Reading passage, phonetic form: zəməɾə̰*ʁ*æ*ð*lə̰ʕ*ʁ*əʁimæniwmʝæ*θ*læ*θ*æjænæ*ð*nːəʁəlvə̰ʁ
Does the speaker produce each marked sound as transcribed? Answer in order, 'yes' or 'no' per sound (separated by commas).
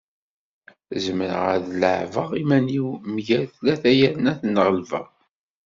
yes, yes, no, yes, yes, no